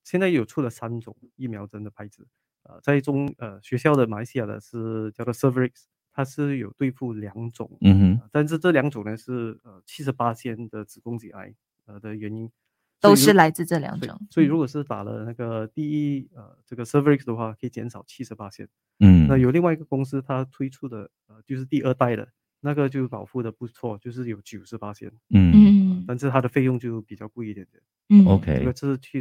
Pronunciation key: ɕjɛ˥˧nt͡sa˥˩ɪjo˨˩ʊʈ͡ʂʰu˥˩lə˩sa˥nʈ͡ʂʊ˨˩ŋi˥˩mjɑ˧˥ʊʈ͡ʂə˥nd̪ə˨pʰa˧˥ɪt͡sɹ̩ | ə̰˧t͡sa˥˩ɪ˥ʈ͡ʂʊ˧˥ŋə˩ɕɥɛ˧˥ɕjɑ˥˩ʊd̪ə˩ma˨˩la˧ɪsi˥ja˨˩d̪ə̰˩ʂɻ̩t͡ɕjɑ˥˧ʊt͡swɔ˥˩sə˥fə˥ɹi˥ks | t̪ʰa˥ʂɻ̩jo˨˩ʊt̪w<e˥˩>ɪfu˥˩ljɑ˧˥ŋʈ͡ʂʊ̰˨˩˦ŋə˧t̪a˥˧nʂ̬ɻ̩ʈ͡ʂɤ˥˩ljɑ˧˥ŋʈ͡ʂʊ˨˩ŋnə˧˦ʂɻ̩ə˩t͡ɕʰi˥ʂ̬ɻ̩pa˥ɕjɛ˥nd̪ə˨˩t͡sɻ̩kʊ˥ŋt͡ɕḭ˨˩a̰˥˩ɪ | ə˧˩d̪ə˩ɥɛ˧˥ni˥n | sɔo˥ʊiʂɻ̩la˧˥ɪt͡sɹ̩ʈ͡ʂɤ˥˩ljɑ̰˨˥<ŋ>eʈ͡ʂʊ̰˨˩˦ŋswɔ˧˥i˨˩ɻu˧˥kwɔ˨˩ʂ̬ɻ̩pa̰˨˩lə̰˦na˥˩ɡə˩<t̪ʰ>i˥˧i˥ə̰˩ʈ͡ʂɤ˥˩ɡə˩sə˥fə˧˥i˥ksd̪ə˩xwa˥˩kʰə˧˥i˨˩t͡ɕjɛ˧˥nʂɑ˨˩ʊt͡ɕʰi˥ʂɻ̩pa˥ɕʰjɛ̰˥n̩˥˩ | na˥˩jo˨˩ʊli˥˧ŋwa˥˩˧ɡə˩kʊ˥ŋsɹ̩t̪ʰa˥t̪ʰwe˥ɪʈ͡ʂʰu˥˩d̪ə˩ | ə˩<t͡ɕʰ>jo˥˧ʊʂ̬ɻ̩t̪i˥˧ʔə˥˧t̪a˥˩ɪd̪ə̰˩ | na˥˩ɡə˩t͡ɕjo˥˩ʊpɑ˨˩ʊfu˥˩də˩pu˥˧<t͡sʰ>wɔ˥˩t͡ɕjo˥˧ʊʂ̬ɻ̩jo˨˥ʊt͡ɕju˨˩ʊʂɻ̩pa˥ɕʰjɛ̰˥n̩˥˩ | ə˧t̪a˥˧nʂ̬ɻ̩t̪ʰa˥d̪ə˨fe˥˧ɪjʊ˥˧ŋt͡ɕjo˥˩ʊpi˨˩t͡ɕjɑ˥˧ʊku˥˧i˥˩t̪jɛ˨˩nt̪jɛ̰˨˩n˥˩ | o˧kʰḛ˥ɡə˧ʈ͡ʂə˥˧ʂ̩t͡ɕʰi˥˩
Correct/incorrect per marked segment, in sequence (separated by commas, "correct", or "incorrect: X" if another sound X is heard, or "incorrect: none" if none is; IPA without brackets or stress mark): incorrect: e˥˧, correct, incorrect: t̪, incorrect: t͡ɕ, correct